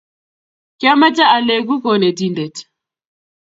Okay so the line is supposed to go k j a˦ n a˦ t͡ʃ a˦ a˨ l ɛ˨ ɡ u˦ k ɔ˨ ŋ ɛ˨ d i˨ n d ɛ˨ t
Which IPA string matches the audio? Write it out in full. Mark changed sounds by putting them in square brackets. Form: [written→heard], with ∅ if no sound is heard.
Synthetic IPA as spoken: k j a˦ [n→m] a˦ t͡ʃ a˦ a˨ l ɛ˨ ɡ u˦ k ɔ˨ [ŋ→n] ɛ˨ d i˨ n d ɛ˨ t

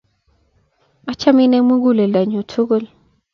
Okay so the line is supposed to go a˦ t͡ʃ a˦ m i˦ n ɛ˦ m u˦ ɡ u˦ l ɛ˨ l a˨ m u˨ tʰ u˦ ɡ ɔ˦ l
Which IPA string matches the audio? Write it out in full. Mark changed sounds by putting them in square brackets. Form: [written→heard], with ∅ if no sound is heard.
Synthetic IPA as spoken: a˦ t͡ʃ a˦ m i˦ n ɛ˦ m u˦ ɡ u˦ l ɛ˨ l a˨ [m→ɲ] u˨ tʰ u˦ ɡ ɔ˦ l

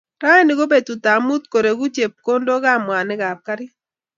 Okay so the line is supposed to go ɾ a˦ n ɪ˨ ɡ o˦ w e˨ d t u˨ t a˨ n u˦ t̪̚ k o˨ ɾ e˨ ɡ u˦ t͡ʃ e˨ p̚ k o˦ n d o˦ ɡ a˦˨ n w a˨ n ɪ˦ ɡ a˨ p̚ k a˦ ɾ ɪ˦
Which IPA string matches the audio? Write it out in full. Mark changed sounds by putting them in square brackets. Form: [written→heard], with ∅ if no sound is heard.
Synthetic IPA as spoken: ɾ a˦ n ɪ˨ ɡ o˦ [w→b] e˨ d t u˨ t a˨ [n→m] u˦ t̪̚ k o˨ ɾ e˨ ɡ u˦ t͡ʃ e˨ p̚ k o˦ n d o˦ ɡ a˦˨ [n→m] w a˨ n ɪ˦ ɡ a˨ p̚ k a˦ ɾ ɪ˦

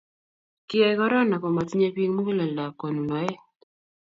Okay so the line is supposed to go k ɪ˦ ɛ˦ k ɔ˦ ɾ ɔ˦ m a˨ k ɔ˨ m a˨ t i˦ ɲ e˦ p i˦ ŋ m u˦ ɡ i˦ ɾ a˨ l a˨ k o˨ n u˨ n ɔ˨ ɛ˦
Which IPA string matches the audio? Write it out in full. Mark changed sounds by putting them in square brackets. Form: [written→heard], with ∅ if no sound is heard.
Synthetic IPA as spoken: k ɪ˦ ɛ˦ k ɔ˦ ɾ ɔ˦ [m→n] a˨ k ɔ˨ m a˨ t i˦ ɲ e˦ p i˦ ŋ m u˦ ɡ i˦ [ɾ→l] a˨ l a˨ k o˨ n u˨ n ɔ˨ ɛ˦

